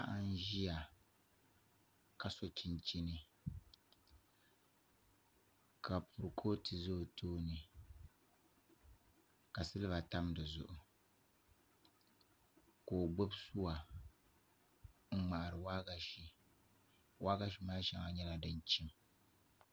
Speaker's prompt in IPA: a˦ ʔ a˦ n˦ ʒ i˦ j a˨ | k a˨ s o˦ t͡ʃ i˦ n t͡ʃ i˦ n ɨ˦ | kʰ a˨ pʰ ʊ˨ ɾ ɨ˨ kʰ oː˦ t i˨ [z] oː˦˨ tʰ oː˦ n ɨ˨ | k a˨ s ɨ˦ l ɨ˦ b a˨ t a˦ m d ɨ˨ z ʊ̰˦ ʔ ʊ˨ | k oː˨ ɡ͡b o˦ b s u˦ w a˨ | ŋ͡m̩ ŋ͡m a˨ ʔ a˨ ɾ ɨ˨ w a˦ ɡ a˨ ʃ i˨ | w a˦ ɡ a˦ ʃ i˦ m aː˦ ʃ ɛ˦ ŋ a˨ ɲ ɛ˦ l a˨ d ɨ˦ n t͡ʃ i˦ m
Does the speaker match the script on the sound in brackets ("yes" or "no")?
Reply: yes